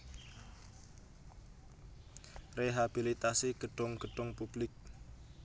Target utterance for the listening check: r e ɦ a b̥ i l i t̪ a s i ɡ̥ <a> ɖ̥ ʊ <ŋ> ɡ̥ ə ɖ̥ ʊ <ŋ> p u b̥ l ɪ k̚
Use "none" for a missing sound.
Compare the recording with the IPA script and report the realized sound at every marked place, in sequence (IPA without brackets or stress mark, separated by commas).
ə, ŋ, ŋ